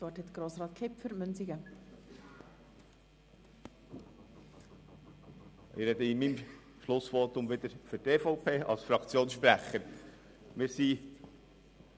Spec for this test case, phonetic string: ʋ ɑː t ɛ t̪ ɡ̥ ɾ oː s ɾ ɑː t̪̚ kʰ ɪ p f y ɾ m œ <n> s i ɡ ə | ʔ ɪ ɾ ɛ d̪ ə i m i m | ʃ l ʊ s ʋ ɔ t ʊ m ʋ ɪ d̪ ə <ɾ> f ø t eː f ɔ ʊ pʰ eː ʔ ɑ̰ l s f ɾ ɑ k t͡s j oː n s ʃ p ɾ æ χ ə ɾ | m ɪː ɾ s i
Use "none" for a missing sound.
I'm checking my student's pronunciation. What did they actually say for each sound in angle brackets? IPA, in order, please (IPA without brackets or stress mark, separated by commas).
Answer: n, ɾ